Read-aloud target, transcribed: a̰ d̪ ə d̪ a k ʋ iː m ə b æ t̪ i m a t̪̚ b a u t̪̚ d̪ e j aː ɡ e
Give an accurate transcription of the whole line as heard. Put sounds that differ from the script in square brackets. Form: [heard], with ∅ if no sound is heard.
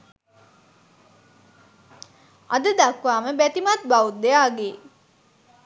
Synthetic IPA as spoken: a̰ d̪ ə d̪ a k ʋ [aː] m ə b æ t̪ i m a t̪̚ b a u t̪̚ d̪ e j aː ɡ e